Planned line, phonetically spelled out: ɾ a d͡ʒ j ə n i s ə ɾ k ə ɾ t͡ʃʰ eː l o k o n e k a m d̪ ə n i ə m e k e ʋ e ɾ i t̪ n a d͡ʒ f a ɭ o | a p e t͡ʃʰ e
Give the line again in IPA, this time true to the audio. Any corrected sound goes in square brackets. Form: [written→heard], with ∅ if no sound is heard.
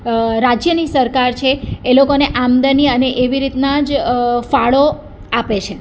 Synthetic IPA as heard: ɾ a d͡ʒ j ə n i s ə ɾ k [ə→a] ɾ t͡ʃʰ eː l o k o n e [k→ʔ] a m d̪ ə n i ə [m→n] e [k→ʔ] e ʋ [e→i] ɾ i t̪ n a d͡ʒ f a ɭ o | a p e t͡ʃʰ e